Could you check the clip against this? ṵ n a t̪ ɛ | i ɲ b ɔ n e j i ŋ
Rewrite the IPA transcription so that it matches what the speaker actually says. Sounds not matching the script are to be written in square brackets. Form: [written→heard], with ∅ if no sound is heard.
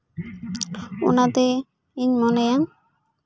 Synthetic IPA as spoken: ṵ n a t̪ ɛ | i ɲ [b→m] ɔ n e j [i→a] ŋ